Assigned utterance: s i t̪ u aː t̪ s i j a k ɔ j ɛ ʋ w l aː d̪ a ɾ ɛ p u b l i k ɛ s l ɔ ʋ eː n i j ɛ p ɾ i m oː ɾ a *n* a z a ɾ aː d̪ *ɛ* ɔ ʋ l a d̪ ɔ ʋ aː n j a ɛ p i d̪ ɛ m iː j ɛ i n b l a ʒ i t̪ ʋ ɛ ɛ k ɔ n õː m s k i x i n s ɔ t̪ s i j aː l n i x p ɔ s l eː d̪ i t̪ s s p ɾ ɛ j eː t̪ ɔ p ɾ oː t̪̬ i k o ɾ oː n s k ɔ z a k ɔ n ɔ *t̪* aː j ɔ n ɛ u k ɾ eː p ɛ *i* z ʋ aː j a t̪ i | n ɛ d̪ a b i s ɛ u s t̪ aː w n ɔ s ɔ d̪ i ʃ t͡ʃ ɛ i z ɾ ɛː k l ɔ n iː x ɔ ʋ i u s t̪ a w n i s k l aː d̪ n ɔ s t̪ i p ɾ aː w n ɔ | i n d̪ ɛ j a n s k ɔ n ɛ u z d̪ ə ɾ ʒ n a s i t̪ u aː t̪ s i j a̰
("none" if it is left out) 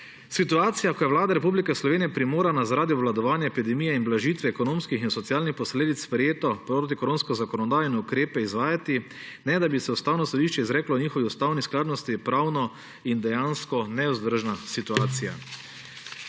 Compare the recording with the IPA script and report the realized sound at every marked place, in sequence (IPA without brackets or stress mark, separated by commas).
n, i, d̪, i